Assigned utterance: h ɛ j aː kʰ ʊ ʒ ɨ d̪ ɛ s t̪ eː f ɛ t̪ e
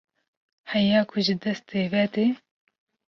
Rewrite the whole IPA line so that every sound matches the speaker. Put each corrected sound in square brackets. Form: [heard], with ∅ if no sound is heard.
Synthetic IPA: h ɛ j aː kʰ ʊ ʒ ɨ d̪ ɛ s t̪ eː [v] ɛ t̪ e

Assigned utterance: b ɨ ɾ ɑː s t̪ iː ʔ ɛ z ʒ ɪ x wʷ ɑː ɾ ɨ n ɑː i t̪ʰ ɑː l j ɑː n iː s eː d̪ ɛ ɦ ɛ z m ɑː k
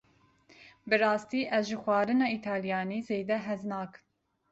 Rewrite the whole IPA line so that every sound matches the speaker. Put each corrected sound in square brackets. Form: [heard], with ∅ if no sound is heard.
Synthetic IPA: b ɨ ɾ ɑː s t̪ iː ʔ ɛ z ʒ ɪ x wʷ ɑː ɾ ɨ n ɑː i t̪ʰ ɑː l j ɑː n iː [z] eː d̪ ɛ ɦ ɛ z [n] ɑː k

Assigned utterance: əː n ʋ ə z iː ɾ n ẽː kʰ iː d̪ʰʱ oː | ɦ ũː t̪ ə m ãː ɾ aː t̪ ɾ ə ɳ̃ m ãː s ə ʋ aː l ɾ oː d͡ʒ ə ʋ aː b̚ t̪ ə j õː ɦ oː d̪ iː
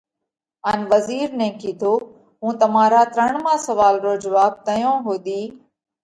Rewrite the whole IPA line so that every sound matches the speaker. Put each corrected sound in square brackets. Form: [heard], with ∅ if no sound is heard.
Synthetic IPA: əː n ʋ ə z iː ɾ n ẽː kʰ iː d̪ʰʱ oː | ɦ ũː t̪ ə m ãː ɾ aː t̪ ɾ ə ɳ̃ m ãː s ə ʋ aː l ɾ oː d͡ʒ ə ʋ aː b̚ t̪ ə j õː ɦ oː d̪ iː

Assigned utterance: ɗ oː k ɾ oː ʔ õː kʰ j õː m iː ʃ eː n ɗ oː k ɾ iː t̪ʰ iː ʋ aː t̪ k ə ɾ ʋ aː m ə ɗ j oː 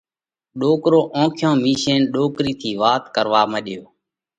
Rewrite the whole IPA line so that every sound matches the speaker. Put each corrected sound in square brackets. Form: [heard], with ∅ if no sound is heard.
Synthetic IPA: ɗ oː k ɾ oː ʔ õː kʰ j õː m iː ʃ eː n ɗ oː k ɾ iː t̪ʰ iː ʋ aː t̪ k ə ɾ ʋ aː m ə ɗ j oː

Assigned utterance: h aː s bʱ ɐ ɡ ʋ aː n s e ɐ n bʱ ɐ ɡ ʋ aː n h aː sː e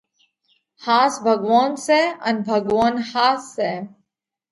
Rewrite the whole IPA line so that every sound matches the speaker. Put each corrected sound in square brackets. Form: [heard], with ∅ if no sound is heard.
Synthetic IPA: h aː s bʱ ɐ ɡ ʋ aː n s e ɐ n bʱ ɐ ɡ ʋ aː n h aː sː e

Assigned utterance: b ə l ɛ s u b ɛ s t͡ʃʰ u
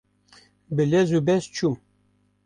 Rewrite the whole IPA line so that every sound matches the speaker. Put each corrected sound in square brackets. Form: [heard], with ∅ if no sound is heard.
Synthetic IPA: b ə l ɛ [z] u b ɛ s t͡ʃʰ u

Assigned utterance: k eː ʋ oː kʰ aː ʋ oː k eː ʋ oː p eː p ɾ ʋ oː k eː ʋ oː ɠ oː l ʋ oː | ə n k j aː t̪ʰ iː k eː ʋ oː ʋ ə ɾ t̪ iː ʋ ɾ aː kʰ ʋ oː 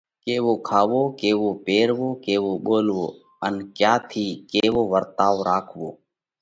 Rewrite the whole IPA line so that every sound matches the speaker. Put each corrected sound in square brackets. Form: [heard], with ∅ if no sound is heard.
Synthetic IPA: k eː ʋ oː kʰ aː ʋ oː k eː ʋ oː p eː [∅] ɾ ʋ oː k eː ʋ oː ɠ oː l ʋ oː | ə n k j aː t̪ʰ iː k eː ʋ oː ʋ ə ɾ t̪ [aː] ʋ ɾ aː kʰ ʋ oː

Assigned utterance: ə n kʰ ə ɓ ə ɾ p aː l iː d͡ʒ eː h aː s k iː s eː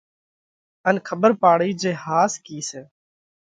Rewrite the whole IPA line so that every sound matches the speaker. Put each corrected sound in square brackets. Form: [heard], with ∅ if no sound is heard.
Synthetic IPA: ə n kʰ ə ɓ ə ɾ p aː [ɽ] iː d͡ʒ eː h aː s k iː s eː

